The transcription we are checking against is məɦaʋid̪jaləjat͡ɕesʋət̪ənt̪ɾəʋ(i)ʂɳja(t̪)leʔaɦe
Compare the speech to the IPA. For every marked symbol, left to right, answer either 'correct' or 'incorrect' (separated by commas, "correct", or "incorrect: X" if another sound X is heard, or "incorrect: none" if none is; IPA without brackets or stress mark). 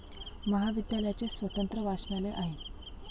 incorrect: a, incorrect: none